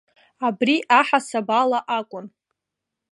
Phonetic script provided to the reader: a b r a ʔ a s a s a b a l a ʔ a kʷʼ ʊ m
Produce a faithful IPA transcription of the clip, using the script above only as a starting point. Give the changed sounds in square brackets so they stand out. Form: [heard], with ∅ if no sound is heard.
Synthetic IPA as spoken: a b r [i] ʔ a [ħ] a s a b a l a ʔ a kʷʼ ʊ [n]